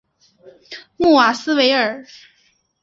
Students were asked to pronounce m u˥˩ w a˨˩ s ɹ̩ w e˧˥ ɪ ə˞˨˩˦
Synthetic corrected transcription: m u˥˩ w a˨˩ s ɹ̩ w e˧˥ ɪ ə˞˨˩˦